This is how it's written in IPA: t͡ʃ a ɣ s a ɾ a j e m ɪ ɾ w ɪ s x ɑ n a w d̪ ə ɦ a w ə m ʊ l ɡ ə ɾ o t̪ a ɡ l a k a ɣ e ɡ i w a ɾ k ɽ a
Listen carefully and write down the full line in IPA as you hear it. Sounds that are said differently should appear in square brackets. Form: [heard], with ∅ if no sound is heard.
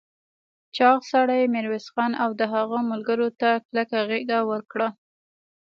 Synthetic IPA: t͡ʃ [ɑ] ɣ s a [ɽ] a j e m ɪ ɾ w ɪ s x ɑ n a w d̪ ə ɦ a [ɣ] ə m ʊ l ɡ ə ɾ o t̪ a [k] l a k a ɣ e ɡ [a] w [ə] ɾ k ɽ a